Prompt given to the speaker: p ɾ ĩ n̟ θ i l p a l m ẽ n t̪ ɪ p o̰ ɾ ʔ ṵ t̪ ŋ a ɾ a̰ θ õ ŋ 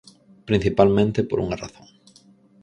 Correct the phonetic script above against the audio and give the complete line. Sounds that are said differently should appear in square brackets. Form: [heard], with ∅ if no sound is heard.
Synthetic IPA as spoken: p ɾ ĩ n̟ θ i [∅] p a l m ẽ n t̪ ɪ p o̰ ɾ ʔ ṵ [∅] ŋ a [r] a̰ θ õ ŋ